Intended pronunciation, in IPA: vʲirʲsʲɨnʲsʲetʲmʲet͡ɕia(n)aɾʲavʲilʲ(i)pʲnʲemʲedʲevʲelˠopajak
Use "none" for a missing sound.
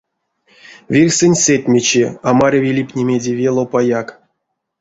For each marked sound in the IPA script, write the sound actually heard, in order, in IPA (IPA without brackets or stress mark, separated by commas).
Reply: m, i